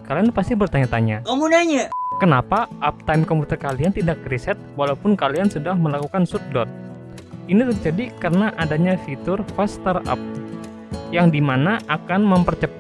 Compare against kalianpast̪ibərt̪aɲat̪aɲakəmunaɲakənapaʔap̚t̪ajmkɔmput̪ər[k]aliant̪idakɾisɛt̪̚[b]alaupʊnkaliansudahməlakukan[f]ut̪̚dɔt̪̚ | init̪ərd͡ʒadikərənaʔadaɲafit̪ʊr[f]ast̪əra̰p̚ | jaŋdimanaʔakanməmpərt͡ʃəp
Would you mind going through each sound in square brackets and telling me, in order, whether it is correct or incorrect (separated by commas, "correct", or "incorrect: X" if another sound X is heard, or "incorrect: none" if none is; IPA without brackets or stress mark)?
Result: correct, incorrect: w, incorrect: s, correct